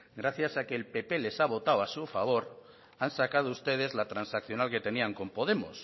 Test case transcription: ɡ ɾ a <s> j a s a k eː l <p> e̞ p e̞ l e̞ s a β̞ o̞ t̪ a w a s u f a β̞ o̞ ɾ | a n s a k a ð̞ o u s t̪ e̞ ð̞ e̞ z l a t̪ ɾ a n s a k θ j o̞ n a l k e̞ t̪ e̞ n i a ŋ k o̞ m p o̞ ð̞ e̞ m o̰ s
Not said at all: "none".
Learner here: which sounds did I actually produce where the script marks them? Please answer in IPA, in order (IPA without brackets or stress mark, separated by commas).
θ, p